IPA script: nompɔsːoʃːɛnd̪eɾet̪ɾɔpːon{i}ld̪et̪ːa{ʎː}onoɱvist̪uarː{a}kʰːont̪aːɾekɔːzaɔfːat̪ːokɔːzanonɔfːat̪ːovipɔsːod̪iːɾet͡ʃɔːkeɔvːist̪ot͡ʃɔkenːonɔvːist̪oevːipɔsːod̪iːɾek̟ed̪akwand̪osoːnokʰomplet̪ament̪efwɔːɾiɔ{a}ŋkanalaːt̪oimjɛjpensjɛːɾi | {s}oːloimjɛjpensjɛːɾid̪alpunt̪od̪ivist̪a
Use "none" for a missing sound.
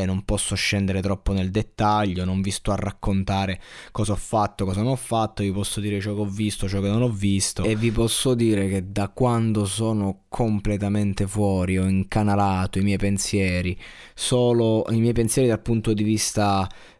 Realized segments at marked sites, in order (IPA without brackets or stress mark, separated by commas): e, ʎː, a, i, s